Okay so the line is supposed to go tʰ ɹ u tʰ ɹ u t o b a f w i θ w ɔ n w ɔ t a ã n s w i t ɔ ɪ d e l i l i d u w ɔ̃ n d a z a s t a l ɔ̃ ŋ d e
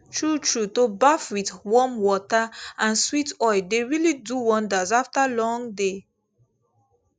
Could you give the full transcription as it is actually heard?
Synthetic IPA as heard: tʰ ɹ u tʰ ɹ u t o b a f w i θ w ɔ m w ɔ t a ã n s w i t ɔ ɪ d e ɹ i l i d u w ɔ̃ n d a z a f t a l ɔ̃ ŋ d e